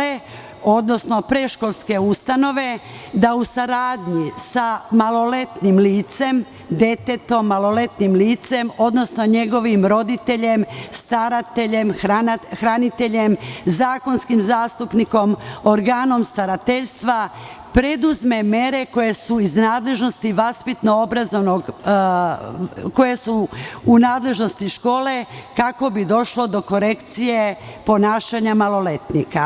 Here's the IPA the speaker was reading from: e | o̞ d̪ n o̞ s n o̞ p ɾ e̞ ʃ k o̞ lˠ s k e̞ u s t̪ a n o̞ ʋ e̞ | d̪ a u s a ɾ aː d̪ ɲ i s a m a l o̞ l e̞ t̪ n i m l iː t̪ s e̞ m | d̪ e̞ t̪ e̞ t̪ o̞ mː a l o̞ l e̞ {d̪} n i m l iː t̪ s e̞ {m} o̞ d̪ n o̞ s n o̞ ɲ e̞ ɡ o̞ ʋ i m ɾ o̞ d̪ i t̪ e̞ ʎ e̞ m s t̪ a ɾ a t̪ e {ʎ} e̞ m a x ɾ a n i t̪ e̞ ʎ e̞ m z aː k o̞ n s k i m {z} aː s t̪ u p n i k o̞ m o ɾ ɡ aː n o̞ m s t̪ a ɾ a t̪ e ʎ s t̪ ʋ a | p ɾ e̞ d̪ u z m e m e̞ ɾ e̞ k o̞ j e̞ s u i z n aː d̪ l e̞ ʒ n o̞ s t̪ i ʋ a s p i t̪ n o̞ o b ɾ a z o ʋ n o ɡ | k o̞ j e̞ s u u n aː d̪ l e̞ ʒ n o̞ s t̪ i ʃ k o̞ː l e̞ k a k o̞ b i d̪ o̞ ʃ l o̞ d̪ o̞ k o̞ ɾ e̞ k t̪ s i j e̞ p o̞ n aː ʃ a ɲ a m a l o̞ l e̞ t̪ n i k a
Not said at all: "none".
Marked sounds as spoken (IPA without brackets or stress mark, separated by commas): t̪, m, ʎ, z